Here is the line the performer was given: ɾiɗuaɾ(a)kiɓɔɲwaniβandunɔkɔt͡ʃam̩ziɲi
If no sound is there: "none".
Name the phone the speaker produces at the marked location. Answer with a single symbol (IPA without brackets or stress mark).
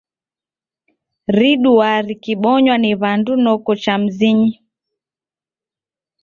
i